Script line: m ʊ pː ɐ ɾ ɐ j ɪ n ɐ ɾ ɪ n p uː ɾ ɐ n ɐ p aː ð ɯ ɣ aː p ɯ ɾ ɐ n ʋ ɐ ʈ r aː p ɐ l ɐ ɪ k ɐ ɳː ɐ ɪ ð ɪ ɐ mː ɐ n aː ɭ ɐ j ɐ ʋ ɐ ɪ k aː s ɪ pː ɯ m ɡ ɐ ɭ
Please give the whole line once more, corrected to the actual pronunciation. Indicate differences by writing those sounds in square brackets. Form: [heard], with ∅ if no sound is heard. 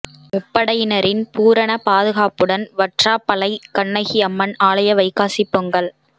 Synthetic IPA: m ʊ pː ɐ [ɽ] ɐ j ɪ n ɐ ɾ ɪ n p uː ɾ ɐ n ɐ p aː ð ɯ ɣ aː p ɯ [ɽ] ɐ n ʋ ɐ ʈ r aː p ɐ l ɐ ɪ k ɐ ɳː ɐ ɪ [ɣ] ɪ ɐ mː ɐ n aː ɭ ɐ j ɐ ʋ ɐ ɪ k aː s ɪ pː ɯ [ŋ] ɡ ɐ ɭ